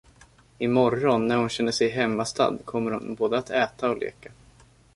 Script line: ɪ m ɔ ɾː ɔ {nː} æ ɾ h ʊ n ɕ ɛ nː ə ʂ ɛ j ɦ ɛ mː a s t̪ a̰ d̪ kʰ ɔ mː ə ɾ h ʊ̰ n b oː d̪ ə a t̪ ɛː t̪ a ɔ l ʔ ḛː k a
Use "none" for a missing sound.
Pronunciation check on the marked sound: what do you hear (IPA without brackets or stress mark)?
nː